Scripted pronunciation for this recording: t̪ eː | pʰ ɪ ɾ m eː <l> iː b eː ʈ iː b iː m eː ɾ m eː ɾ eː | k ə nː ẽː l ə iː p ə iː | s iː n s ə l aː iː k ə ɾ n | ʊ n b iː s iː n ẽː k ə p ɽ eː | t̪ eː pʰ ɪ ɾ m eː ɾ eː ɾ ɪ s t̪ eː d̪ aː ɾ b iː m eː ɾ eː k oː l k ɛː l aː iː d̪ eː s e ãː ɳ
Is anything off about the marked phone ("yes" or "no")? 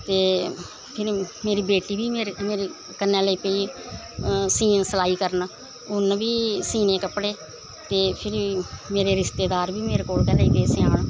yes